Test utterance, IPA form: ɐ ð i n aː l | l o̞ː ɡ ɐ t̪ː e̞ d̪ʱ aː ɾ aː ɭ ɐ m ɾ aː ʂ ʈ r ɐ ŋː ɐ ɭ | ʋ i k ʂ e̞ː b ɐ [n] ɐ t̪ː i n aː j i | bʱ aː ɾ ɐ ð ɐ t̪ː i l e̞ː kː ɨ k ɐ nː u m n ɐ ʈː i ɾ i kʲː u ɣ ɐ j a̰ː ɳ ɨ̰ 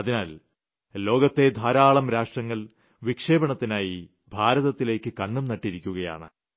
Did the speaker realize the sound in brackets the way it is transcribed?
no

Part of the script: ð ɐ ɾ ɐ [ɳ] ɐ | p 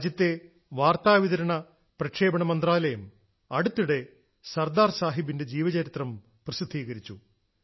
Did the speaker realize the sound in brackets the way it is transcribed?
yes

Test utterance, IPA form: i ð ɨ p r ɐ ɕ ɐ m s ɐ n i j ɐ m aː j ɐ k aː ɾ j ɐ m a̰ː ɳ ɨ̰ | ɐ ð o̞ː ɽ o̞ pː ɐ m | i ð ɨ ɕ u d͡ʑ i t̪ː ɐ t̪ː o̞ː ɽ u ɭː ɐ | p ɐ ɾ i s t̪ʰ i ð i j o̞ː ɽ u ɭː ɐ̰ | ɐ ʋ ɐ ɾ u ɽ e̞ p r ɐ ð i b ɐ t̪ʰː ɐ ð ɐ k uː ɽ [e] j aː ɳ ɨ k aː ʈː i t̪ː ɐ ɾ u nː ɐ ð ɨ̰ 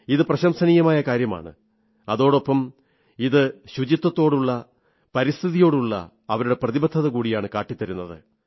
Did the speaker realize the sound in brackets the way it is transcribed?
no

